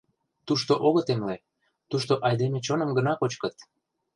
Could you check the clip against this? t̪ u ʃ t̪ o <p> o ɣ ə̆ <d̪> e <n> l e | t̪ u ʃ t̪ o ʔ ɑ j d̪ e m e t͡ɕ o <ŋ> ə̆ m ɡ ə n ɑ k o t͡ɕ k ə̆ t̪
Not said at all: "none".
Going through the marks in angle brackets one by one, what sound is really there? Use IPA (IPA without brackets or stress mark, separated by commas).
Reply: ʔ, t̪, m, n